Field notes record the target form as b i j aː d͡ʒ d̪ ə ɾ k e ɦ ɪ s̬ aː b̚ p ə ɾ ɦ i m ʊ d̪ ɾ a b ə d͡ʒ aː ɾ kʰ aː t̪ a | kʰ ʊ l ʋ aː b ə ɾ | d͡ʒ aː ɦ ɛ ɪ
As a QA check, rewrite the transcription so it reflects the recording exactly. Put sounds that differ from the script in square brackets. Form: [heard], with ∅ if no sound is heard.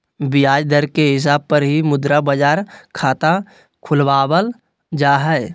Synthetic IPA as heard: b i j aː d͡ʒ d̪ ə ɾ k e ɦ ɪ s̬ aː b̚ p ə ɾ ɦ i m ʊ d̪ ɾ a b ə d͡ʒ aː ɾ kʰ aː t̪ a | kʰ ʊ l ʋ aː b ə [l] | d͡ʒ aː ɦ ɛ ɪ